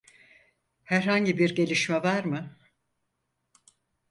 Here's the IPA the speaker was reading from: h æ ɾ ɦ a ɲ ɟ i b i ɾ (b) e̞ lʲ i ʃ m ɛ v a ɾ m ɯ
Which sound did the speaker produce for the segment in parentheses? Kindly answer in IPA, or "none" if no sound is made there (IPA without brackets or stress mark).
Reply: ɟ